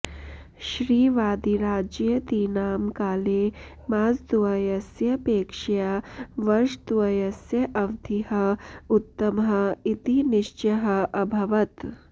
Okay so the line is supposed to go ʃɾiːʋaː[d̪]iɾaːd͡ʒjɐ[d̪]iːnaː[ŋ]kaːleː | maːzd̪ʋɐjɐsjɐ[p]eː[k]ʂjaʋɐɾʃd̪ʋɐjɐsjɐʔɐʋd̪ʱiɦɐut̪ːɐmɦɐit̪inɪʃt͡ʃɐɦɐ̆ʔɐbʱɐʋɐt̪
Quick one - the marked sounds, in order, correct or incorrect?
correct, incorrect: t̪, incorrect: m, correct, correct

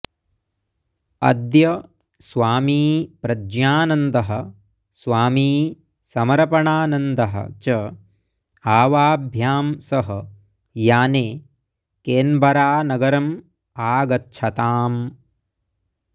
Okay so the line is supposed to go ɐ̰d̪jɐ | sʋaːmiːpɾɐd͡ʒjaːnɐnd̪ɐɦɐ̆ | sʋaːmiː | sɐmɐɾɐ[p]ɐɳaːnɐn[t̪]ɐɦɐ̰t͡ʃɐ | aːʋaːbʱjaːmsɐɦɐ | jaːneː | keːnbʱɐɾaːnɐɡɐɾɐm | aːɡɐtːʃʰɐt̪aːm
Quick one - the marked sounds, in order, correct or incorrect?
correct, incorrect: d̪

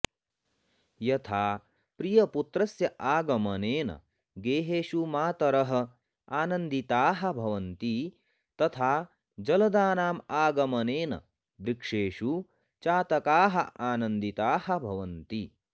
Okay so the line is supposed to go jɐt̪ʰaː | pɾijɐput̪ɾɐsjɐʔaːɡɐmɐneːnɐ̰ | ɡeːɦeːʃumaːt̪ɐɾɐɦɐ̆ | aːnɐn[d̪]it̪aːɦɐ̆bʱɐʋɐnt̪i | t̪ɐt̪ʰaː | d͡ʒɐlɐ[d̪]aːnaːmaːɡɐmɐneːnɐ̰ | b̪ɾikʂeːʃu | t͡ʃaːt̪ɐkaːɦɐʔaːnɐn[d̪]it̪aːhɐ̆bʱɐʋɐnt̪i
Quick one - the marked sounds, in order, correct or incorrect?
correct, correct, correct

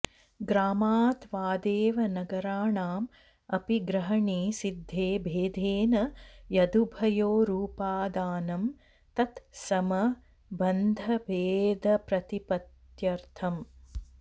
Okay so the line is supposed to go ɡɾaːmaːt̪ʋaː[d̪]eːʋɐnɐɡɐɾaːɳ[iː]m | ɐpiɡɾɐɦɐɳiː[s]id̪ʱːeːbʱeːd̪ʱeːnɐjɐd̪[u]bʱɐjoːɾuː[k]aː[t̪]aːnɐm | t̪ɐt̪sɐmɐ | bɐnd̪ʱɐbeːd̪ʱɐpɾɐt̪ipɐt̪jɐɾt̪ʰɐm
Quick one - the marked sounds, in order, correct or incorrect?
correct, incorrect: aː, correct, correct, incorrect: p, incorrect: d̪

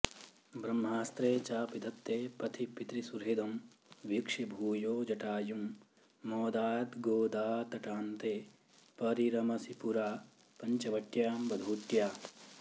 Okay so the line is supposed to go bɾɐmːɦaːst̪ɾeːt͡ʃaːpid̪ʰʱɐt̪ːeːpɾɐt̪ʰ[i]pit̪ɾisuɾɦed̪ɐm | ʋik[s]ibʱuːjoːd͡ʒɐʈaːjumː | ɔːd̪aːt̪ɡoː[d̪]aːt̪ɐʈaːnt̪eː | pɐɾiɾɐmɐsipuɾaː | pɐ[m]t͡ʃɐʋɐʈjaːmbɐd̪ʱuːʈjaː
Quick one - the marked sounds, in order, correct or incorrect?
correct, incorrect: ʂ, correct, incorrect: ɲ

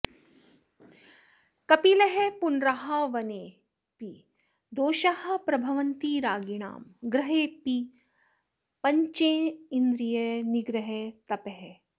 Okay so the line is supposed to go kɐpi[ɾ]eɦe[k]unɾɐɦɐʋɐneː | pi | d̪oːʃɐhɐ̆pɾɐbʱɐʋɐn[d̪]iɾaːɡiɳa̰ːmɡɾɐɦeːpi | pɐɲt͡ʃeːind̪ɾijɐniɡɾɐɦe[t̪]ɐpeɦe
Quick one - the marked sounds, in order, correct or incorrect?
incorrect: l, incorrect: p, incorrect: t̪, correct

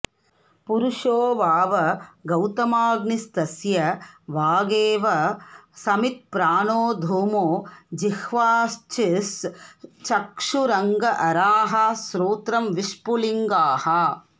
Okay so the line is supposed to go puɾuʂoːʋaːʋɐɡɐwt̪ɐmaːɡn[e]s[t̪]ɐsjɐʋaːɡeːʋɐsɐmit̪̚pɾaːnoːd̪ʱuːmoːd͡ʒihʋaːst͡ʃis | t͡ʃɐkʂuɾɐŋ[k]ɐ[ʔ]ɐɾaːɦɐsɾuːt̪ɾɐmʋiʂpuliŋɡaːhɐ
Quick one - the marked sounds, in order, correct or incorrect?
incorrect: i, correct, incorrect: ɡ, correct

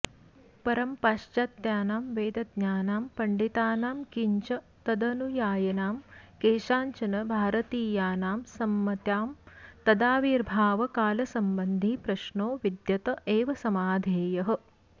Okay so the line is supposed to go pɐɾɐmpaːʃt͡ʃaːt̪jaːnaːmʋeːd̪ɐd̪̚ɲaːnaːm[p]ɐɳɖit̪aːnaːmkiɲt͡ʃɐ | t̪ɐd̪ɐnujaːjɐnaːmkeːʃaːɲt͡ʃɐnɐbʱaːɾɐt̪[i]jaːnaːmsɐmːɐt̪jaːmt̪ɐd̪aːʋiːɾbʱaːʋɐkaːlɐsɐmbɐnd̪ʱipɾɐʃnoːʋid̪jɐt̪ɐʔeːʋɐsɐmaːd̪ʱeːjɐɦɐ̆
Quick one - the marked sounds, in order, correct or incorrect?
correct, incorrect: iː

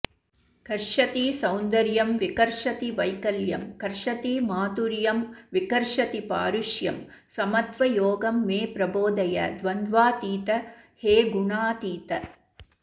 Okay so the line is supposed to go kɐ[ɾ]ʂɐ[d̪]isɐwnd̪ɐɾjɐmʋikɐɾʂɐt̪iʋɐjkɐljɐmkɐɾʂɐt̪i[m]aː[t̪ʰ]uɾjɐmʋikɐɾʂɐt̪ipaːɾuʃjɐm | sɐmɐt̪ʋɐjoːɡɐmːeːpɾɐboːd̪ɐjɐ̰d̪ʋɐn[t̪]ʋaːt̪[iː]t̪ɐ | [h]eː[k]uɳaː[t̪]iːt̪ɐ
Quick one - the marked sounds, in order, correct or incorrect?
correct, incorrect: t̪, correct, incorrect: t̪, incorrect: d̪, correct, correct, incorrect: ɡ, correct

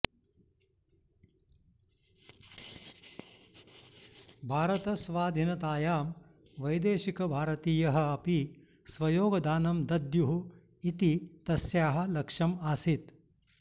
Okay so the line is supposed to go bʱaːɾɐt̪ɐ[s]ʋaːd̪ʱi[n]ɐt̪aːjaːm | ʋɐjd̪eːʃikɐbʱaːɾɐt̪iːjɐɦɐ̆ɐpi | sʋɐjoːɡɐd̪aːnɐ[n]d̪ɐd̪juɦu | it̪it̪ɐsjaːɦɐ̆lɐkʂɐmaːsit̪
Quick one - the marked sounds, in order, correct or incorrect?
correct, correct, incorrect: m

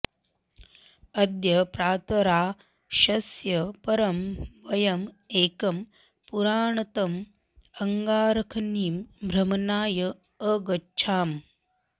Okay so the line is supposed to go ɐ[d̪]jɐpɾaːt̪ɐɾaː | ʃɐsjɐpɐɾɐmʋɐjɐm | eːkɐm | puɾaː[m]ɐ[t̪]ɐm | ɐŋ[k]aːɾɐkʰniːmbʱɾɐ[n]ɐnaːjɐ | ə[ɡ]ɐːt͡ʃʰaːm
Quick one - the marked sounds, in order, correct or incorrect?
correct, incorrect: ɳ, correct, incorrect: ɡ, incorrect: m, correct

